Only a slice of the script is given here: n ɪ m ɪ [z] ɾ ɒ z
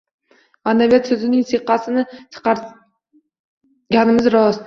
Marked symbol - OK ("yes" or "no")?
yes